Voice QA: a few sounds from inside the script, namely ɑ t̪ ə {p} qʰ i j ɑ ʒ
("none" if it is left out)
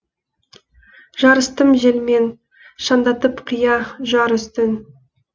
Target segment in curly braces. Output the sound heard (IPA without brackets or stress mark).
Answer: p